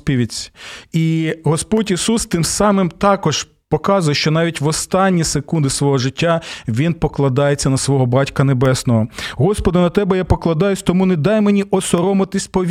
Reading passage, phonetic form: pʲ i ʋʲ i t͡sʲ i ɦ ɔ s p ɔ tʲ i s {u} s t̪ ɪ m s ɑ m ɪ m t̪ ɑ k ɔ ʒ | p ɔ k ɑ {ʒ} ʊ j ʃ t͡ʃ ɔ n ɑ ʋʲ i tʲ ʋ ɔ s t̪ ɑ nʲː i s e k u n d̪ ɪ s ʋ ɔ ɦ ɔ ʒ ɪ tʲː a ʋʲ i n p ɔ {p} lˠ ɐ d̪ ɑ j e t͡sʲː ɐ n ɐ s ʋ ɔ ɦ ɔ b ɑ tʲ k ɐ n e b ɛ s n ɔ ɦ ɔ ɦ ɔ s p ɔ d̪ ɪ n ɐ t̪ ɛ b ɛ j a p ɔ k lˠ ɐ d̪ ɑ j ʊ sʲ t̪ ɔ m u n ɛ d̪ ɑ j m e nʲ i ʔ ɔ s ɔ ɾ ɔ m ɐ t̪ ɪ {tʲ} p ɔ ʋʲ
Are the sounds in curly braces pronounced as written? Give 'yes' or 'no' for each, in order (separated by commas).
yes, no, no, no